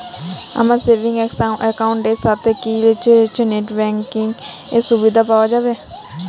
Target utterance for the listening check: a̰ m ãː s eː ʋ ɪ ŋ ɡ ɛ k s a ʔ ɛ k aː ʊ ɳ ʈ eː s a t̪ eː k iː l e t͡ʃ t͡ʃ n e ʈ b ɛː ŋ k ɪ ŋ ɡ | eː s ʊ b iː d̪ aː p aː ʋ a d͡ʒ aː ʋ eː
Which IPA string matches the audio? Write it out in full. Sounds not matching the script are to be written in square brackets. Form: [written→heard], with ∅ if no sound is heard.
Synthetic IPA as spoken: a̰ m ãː s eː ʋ ɪ ŋ ɡ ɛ k s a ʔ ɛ k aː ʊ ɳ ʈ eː s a t̪ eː k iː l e t͡ʃ t͡ʃ n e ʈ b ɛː ŋ k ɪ ŋ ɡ | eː s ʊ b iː d̪ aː p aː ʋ a d͡ʒ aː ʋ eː